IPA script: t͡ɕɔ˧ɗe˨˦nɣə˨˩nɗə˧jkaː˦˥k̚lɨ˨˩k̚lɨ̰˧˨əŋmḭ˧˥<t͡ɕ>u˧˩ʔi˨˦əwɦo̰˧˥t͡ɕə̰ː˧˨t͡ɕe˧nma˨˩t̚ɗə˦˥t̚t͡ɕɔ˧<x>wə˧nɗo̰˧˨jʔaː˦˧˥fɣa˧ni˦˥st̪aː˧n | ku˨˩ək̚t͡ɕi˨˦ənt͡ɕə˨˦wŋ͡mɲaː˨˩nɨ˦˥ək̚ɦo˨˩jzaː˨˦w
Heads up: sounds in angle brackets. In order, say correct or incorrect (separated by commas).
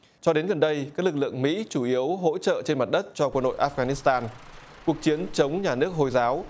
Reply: correct, incorrect